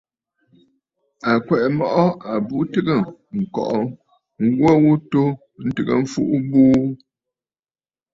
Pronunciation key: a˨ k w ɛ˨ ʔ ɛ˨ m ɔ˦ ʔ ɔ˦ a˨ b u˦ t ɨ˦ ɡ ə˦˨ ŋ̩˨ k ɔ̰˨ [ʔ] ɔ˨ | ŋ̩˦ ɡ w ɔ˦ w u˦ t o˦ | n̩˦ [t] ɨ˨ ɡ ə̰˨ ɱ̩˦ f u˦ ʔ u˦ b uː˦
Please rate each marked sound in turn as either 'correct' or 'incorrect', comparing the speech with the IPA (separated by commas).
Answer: correct, correct